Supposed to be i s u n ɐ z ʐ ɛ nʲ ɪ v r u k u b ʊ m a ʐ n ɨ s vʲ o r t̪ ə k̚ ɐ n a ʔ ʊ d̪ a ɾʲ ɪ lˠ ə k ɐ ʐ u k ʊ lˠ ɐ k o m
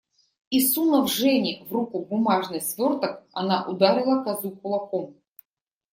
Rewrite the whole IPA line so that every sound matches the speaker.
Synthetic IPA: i s u n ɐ v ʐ ɛ nʲ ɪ v r u k u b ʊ m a ʐ n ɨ s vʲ o r t̪ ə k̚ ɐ n a ʔ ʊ d̪ a ɾʲ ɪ lˠ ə k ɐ z u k ʊ lˠ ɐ k o m